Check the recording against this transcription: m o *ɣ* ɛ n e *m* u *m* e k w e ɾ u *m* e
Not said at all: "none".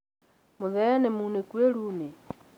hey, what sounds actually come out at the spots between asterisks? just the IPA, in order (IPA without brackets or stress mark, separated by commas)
ð, m, n, n